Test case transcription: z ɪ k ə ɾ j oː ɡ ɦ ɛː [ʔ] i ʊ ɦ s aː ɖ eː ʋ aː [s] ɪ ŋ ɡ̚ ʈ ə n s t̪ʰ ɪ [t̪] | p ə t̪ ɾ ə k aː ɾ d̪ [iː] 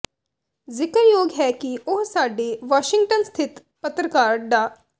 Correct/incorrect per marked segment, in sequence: incorrect: k, incorrect: ʃ, correct, incorrect: aː

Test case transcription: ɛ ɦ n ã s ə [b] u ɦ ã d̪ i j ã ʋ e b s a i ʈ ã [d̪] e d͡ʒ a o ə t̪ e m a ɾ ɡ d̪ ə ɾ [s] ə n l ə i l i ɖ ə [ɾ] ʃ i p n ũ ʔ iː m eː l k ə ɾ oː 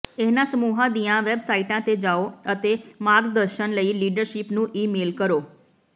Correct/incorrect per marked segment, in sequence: incorrect: m, incorrect: t̪, incorrect: ʃ, correct

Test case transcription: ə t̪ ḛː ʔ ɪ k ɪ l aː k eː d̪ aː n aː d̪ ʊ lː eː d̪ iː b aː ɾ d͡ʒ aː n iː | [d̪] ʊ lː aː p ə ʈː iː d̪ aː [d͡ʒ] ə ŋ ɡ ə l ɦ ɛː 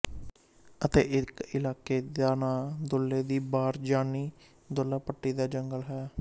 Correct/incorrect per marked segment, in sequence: correct, correct

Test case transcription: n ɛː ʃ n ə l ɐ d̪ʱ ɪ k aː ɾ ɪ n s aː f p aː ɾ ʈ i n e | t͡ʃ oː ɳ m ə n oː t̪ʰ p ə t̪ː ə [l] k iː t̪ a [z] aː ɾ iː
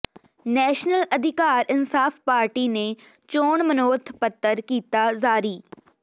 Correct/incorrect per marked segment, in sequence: incorrect: ɾ, correct

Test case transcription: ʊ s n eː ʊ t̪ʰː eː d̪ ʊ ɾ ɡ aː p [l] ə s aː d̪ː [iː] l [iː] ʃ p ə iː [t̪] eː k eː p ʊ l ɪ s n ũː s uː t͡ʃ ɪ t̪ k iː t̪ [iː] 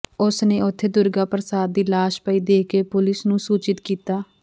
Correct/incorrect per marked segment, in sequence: incorrect: ɾ, correct, incorrect: aː, incorrect: d̪, incorrect: aː

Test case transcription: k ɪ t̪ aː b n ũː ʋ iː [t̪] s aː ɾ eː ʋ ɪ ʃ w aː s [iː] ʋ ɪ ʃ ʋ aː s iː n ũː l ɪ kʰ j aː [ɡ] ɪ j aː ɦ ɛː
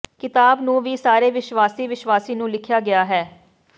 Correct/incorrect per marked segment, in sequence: incorrect: none, correct, correct

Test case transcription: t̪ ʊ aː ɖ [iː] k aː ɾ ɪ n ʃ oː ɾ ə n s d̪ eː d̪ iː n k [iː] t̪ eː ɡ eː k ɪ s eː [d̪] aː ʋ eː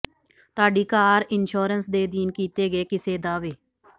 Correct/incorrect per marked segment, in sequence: correct, correct, correct

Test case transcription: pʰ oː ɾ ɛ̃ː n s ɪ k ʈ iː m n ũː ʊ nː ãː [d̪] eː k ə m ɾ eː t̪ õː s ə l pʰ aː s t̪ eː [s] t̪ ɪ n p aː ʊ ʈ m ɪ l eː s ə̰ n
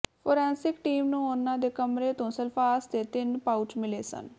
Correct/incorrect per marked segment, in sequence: correct, incorrect: none

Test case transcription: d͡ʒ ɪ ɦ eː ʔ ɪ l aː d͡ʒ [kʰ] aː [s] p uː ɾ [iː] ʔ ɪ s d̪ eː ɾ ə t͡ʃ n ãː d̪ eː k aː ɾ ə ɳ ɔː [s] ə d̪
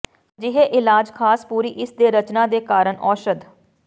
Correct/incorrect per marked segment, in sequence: correct, correct, correct, incorrect: ʃ

